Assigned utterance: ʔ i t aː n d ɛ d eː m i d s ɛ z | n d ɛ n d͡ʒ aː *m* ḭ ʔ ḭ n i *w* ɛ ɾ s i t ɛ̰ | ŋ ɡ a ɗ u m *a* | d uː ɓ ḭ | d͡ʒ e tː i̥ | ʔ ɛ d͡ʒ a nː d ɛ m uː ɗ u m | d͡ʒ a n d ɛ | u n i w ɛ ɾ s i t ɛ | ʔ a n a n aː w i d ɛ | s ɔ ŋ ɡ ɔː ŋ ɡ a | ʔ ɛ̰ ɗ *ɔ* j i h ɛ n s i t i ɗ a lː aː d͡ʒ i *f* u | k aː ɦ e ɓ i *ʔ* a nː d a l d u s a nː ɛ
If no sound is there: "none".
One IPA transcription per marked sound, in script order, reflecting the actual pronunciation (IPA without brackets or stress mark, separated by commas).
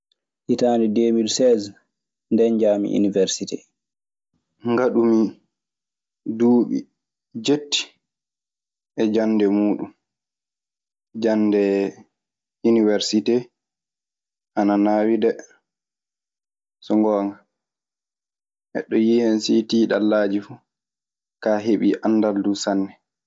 m, v, i, ɔ, f, ʔ